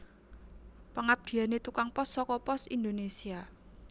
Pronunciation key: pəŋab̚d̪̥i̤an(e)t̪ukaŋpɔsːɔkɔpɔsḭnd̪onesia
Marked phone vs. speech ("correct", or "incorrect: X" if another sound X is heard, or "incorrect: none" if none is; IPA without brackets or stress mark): correct